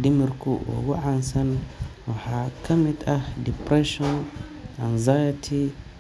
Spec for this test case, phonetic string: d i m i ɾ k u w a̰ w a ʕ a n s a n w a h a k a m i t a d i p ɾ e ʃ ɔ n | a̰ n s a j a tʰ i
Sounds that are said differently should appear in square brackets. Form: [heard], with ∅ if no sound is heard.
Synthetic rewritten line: d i m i ɾ k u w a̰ w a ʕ a n s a n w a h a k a m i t a d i p ɾ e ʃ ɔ n | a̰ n [z] a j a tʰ i